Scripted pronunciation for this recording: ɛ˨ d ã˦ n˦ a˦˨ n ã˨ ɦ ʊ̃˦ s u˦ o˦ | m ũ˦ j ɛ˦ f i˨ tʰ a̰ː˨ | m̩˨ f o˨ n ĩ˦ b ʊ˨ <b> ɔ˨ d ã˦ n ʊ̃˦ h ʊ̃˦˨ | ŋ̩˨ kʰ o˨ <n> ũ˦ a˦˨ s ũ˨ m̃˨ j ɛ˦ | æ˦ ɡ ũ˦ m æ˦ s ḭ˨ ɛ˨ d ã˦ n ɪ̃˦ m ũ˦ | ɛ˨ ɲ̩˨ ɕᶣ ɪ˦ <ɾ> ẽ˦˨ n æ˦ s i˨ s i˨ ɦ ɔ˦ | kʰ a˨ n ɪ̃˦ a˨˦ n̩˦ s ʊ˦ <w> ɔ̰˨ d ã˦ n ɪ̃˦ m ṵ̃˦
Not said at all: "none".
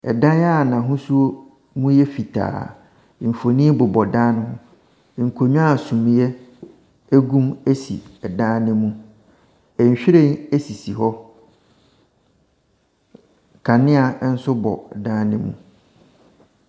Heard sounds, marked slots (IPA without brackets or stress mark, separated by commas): b, ɲ, ɾ, b